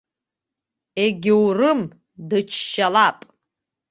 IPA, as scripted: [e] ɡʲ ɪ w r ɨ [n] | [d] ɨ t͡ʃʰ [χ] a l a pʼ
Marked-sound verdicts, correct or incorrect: correct, incorrect, correct, incorrect

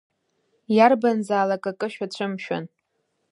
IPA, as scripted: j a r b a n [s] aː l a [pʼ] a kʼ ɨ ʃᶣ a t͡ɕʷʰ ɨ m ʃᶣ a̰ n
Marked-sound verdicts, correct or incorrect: incorrect, incorrect

